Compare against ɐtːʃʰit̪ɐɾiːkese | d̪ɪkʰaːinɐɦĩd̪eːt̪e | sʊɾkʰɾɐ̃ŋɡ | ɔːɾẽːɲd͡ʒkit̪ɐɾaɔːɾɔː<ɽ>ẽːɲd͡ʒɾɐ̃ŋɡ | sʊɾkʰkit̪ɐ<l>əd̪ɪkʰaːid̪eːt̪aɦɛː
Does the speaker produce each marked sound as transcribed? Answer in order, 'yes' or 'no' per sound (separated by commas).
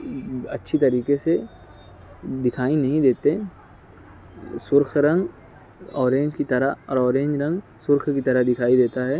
no, no